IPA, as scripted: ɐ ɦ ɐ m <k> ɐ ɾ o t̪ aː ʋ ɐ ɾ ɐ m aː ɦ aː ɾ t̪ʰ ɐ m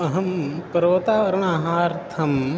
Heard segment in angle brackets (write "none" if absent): p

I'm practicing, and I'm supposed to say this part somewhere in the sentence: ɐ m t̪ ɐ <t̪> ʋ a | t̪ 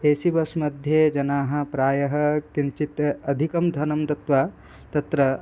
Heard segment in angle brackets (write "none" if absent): t̪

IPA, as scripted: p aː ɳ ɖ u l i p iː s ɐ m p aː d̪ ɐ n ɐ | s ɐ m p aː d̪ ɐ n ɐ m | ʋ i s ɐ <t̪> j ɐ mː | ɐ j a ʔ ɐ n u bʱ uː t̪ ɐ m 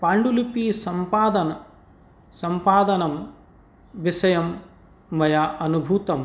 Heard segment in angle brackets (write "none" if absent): none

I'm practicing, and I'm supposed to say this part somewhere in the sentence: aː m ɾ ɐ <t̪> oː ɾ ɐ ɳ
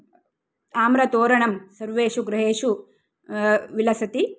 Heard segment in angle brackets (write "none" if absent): t̪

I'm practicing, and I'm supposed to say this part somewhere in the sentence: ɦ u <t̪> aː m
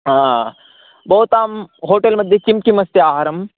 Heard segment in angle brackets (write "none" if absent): t̪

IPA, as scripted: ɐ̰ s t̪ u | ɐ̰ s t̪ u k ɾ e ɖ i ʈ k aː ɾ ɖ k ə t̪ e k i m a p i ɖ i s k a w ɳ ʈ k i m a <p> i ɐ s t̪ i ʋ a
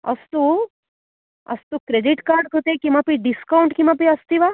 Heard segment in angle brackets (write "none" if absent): p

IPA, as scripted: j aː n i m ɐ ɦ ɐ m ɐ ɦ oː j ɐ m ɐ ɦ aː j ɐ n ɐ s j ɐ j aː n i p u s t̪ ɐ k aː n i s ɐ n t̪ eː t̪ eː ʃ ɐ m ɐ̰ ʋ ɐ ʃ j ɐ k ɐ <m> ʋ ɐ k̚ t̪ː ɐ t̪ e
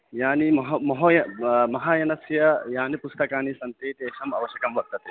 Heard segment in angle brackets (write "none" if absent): m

